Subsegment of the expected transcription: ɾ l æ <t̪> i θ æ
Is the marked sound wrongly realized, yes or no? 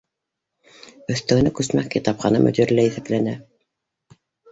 yes